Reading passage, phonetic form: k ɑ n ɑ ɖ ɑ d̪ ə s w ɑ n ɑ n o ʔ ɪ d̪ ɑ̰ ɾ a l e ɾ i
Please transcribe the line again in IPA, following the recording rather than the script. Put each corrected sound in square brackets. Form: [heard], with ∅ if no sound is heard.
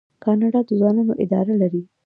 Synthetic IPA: k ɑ n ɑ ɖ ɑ d̪ ə [z] w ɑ n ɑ n o ʔ ɪ d̪ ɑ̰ ɾ a l [a] ɾ i